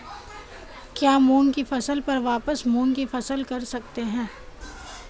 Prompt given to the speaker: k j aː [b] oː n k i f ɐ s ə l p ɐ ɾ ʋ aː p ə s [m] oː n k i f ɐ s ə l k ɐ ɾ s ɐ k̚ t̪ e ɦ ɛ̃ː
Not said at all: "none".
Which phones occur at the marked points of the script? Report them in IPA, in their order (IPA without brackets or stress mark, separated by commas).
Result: m, m